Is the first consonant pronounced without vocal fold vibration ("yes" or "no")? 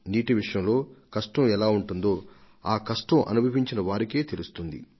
no